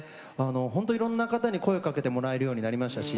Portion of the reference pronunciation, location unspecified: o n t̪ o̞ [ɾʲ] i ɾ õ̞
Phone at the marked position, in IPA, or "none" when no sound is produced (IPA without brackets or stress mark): none